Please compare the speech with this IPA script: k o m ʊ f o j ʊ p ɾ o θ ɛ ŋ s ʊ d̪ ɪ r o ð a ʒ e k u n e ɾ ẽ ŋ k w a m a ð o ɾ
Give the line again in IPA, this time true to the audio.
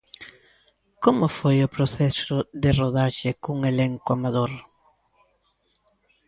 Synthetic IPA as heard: k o m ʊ f o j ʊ p ɾ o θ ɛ s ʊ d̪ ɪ r o ð a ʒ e k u ŋ e l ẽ ŋ k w a m a ð o ɾ